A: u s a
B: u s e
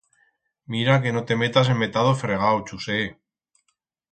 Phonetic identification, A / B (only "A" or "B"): B